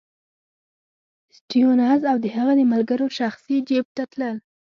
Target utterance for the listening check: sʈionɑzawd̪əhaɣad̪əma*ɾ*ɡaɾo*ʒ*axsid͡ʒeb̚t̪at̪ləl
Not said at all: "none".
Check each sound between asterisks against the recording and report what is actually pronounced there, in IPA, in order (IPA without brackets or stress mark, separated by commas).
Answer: l, ʃ